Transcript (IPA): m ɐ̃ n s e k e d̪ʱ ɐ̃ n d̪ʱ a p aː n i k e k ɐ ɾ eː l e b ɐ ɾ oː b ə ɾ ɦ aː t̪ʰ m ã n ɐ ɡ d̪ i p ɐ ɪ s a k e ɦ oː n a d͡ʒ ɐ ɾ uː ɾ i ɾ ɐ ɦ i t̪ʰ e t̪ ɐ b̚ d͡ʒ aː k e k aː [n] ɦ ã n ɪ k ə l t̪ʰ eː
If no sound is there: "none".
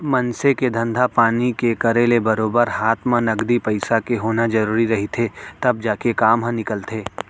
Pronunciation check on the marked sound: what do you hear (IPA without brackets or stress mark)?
m